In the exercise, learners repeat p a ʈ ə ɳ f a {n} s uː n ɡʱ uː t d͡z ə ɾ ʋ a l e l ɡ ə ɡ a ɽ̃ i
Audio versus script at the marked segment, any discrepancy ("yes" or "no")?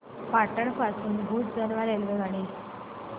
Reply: yes